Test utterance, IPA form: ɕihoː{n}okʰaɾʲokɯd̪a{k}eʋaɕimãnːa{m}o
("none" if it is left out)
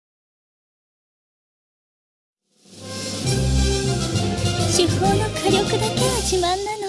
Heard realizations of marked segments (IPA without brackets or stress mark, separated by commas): n, k, n